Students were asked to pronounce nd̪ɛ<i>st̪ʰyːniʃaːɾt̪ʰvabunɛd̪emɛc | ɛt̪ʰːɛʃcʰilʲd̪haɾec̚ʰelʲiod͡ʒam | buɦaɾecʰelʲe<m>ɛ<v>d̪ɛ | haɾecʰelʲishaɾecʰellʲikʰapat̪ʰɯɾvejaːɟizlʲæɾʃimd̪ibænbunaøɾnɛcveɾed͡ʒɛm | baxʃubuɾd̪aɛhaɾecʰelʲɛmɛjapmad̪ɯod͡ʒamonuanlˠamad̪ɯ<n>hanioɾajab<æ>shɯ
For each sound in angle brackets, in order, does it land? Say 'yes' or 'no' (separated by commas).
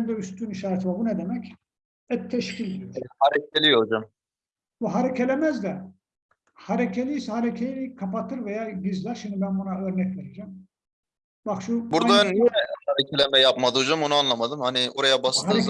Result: no, yes, no, no, no